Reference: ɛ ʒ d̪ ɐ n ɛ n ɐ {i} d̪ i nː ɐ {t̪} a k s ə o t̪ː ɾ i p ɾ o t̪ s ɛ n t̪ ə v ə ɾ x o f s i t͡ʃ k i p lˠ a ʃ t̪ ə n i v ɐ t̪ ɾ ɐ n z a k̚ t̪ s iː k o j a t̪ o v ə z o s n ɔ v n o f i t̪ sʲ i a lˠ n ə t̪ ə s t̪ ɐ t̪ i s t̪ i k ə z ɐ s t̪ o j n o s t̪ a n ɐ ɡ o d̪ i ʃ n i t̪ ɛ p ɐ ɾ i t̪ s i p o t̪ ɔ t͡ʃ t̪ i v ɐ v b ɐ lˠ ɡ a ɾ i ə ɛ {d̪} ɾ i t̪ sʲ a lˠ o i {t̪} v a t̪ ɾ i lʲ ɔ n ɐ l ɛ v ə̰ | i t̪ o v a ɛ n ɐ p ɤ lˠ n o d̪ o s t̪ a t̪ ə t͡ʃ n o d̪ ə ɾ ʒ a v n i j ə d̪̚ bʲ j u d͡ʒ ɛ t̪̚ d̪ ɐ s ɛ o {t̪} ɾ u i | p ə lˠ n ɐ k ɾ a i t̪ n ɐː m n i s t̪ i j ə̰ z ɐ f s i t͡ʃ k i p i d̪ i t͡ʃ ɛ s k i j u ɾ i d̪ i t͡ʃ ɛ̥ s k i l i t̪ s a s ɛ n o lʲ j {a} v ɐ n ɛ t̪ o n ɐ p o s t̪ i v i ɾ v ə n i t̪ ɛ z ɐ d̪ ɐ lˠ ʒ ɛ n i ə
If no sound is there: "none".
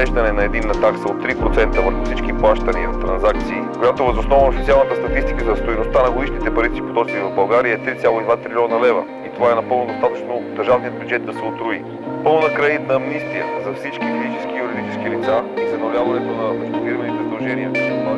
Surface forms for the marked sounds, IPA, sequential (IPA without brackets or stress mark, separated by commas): ɛ, t̪, t̪, d̪, t̪, a